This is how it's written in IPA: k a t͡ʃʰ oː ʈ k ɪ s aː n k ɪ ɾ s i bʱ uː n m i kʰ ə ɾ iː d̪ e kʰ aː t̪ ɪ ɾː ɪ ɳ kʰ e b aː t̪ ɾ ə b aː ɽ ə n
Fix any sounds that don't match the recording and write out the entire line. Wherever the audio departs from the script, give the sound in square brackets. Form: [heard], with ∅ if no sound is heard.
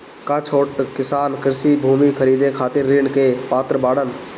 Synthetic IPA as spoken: k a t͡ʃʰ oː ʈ k ɪ s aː n k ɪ ɾ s i bʱ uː [∅] m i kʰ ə ɾ iː d̪ e kʰ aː t̪ ɪ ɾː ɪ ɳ [k] e [p] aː t̪ ɾ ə b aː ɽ ə n